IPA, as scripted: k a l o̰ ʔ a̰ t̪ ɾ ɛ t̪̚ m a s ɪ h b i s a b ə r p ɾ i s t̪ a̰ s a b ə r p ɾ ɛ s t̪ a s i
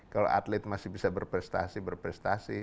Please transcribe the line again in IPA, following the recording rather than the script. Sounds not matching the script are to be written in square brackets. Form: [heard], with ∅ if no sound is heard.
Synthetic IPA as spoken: k a l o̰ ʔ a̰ t̪ [l] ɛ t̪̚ m a s ɪ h b i s a b ə r p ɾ [ɛ] s t̪ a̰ s [i] b ə r p ɾ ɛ s t̪ a s i